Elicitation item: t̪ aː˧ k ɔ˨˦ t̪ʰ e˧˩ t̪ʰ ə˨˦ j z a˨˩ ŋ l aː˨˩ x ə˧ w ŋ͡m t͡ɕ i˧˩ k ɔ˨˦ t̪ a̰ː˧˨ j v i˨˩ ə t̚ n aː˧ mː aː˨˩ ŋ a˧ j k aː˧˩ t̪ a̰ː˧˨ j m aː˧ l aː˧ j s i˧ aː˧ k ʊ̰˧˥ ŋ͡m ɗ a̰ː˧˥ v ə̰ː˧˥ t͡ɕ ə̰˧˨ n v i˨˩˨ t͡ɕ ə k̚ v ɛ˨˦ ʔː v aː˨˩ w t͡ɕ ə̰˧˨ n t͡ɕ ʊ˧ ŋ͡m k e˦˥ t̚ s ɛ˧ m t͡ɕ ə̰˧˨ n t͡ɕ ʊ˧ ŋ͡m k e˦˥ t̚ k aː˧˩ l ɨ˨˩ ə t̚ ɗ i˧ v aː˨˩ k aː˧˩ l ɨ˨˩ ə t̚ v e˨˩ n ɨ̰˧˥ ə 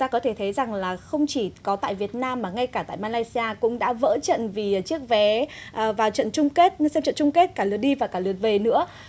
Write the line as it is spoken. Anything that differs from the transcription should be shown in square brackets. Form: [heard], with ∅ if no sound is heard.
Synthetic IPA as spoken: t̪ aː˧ k ɔ˨˦ t̪ʰ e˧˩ t̪ʰ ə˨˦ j z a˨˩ ŋ l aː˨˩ x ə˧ w ŋ͡m t͡ɕ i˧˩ k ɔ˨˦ t̪ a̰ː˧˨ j v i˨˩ ə t̚ n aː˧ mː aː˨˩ ŋ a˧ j k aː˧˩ t̪ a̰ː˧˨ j m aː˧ l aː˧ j s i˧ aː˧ k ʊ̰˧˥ ŋ͡m ɗ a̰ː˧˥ v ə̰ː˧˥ t͡ɕ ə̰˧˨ n v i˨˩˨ t͡ɕ ə k̚ v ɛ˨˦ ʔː v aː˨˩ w t͡ɕ ə̰˧˨ n t͡ɕ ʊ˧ ŋ͡m k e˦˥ t̚ s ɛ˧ m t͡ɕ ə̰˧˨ n t͡ɕ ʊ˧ ŋ͡m k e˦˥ t̚ k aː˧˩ l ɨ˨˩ ə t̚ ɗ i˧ v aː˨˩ k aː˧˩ l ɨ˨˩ ə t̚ v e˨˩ n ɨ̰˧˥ ə

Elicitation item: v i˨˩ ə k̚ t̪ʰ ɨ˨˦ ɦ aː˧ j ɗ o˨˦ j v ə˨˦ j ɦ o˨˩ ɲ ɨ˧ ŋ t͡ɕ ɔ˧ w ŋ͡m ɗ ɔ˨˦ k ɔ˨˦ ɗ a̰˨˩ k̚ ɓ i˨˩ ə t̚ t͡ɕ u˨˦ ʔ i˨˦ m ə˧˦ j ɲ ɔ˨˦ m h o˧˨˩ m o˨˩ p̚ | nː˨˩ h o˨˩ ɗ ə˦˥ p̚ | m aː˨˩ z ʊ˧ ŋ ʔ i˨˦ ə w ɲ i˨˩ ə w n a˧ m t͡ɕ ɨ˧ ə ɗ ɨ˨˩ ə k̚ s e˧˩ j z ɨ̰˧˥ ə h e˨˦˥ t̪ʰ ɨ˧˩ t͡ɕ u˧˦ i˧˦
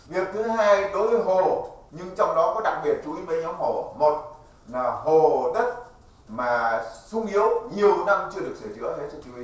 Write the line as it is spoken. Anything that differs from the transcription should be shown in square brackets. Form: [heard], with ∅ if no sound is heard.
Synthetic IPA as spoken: v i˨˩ ə k̚ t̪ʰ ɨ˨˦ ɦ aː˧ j ɗ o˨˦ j v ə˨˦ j ɦ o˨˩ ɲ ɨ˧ ŋ t͡ɕ ɔ˧ w ŋ͡m ɗ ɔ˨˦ k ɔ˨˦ ɗ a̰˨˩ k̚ ɓ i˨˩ ə t̚ t͡ɕ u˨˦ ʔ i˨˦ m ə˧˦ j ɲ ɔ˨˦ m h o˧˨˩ m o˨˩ [t̚] | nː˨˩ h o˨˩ ɗ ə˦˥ [t̚] | m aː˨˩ [s] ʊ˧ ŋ ʔ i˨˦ ə w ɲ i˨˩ ə w n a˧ m t͡ɕ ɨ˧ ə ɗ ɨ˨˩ ə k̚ s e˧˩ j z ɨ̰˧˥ ə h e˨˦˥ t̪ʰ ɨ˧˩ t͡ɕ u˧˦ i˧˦

